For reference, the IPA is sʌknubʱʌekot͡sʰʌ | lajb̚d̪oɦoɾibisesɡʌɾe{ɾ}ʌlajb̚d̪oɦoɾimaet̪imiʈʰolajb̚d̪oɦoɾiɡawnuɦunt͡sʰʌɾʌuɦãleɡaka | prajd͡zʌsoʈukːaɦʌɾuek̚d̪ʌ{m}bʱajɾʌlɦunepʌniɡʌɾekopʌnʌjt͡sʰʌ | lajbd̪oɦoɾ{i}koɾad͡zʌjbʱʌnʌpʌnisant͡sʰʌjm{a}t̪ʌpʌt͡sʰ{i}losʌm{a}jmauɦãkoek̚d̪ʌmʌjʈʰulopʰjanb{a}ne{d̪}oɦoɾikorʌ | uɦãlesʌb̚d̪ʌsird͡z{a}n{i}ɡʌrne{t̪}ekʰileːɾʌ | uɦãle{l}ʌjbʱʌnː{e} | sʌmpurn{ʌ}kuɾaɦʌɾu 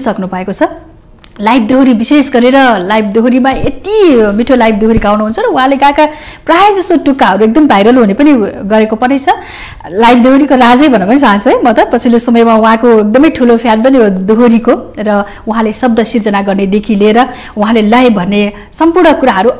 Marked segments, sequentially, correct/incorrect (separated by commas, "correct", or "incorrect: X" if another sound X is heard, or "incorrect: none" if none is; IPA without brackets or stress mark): correct, correct, correct, incorrect: ʌ, correct, incorrect: ʌ, incorrect: ʌ, correct, incorrect: ʌ, incorrect: a, incorrect: d̪, correct, correct, correct